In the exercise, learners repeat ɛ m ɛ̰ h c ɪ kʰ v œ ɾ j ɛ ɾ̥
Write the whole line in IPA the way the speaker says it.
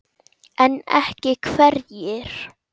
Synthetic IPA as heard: ɛ n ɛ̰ h c ɪ kʰ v ɛ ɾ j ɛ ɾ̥